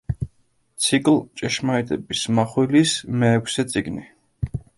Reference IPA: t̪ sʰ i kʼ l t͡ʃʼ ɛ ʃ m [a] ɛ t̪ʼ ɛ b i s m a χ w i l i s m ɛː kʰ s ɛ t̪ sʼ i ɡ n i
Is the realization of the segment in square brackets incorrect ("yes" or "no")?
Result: no